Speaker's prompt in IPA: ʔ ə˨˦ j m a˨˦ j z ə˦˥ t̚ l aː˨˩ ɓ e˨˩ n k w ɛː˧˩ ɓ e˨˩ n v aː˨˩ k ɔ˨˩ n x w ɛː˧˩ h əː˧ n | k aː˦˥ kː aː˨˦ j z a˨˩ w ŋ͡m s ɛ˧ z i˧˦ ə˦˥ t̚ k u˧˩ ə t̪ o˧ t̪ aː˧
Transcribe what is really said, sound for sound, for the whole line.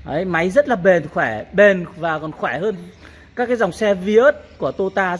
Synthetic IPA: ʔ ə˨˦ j m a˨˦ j z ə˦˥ t̚ l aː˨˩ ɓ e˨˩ n x w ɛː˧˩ ɓ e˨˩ n v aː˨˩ k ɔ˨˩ n x w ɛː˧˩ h əː˧ n | k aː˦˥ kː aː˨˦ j z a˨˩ w ŋ͡m s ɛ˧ v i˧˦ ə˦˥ t̚ k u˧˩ ə t̪ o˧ t̪ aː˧